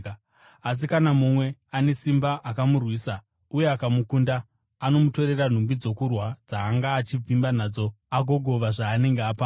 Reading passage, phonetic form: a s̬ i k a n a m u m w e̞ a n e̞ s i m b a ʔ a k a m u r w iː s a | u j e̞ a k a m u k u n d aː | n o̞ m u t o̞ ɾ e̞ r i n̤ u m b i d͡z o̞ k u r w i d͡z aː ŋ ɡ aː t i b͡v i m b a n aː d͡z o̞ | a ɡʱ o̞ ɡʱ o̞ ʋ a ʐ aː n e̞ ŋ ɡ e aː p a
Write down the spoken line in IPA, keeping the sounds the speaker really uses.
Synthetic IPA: a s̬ i k a n a m u m w e̞ a n e̞ s i m b a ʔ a k a m u r w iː s a | u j e̞ a k a m u k u n d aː | n o̞ m u t o̞ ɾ e̞ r a n̤ u m b i d͡z o̞ k u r w a d͡z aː ŋ ɡ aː t͡ʃ i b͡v i m b a n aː d͡z o̞ | a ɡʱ o̞ ɡʱ o̞ ʋ a ʐ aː n e̞ ŋ ɡ e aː p a